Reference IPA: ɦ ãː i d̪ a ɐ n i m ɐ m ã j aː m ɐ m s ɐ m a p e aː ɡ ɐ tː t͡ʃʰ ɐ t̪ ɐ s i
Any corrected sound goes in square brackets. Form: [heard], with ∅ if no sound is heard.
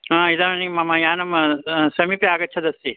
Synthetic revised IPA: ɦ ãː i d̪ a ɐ n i m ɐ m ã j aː [n] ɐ m s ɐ m [i] p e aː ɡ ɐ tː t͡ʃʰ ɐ [d̪] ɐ s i